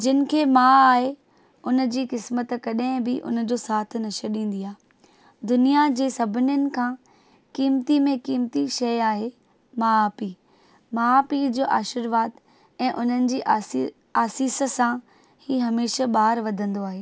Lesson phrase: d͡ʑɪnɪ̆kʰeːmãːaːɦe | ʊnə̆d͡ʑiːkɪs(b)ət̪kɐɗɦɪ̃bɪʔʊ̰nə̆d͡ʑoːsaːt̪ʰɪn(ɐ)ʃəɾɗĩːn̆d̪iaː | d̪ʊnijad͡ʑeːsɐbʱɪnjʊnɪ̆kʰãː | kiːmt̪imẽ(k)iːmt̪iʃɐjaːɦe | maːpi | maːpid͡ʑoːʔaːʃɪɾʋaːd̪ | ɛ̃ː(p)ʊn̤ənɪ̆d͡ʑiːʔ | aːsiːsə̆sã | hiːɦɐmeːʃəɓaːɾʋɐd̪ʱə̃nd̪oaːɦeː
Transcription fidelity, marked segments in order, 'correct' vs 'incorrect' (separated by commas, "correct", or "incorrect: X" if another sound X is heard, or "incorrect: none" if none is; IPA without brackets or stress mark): incorrect: m, correct, correct, incorrect: ʔ